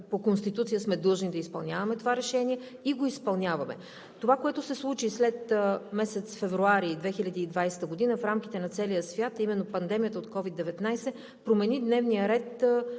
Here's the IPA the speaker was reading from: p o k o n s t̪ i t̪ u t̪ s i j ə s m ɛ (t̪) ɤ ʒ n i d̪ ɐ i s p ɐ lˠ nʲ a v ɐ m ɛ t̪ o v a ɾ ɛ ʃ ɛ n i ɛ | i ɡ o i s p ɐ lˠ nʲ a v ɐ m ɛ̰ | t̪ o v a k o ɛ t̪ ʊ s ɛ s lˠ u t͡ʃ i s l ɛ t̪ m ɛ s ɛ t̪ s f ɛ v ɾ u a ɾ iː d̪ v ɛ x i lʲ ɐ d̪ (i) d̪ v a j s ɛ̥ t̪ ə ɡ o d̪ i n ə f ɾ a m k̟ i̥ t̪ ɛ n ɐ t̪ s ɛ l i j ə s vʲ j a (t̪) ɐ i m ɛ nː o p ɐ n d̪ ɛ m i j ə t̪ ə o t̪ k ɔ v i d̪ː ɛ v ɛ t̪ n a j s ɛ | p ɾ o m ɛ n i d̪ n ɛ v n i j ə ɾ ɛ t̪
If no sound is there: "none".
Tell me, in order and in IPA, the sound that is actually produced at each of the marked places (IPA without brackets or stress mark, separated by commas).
d̪, iː, t̪